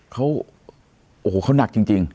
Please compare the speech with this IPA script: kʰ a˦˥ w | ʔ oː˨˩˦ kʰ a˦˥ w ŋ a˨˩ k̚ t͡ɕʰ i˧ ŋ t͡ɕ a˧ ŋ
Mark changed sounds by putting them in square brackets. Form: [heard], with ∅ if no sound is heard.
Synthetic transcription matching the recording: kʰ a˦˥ w | ʔ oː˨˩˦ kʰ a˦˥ w [n] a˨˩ k̚ [t͡ɕ] i˧ ŋ t͡ɕ [i˧] ŋ